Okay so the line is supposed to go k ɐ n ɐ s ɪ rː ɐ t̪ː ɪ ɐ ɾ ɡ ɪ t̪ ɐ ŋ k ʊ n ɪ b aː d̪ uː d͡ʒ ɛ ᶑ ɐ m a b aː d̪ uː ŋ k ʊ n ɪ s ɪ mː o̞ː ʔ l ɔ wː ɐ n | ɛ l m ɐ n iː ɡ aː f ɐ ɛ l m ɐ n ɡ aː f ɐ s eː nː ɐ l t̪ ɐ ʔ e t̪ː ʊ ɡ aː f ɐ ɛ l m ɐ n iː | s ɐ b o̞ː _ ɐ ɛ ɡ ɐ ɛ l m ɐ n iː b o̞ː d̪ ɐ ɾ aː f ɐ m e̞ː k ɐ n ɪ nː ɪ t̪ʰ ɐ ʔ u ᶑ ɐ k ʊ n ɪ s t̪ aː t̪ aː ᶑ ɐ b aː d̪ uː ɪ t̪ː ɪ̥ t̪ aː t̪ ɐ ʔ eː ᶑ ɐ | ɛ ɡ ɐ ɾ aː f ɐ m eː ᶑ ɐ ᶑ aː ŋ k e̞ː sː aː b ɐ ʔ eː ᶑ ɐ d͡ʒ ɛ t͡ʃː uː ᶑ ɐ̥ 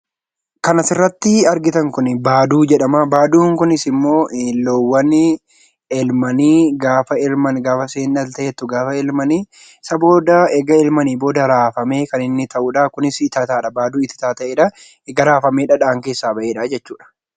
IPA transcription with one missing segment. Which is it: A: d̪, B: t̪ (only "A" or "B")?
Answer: A